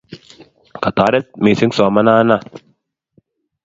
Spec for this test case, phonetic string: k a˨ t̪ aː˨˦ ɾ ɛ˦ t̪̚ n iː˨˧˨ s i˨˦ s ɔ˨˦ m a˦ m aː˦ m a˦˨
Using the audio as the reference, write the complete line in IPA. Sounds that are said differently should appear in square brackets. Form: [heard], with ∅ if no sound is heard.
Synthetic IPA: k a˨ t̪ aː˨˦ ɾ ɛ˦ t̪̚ [m] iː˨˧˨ s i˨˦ s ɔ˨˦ m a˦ [n] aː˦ [n] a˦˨